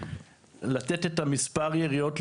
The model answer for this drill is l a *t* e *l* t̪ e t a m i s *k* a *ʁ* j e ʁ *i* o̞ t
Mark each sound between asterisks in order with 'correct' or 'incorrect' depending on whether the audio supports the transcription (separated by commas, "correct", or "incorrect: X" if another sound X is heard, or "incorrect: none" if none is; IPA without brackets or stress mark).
correct, incorrect: none, incorrect: p, correct, correct